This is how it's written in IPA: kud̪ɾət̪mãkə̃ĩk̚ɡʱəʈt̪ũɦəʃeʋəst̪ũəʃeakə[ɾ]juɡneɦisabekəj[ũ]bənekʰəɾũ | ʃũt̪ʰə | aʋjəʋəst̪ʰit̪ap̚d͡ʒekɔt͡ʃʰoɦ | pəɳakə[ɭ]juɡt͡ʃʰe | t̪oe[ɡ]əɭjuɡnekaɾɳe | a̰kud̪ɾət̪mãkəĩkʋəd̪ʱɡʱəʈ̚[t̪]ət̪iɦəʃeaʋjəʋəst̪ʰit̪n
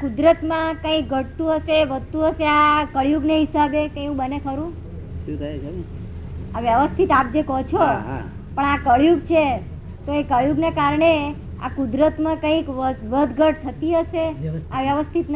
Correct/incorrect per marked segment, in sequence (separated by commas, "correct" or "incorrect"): incorrect, correct, correct, incorrect, incorrect